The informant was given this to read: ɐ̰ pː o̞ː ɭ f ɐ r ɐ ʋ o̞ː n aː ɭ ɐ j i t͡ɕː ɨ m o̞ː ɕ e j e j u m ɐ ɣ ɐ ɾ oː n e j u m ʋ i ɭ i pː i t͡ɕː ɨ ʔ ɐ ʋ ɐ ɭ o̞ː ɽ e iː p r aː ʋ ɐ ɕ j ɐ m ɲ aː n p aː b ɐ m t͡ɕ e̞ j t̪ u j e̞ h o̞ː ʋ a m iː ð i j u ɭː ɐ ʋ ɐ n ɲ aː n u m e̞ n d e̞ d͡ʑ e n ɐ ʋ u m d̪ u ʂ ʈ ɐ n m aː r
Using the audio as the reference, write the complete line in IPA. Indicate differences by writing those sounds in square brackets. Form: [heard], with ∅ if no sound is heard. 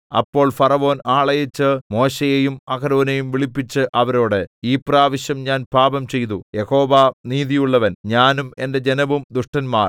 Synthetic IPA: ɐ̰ pː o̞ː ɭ f ɐ r ɐ ʋ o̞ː n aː ɭ ɐ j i t͡ɕː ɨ m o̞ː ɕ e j e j u m ɐ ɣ ɐ ɾ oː n e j u m ʋ i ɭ i pː i t͡ɕː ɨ ʔ ɐ ʋ ɐ [ɾ] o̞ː ɽ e iː p r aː ʋ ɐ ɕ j ɐ m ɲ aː n p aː b ɐ m t͡ɕ e̞ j t̪ u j e̞ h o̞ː ʋ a [n] iː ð i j u ɭː ɐ ʋ ɐ n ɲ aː n u m e̞ n d e̞ d͡ʑ e n ɐ ʋ u m d̪ u ʂ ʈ ɐ n m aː r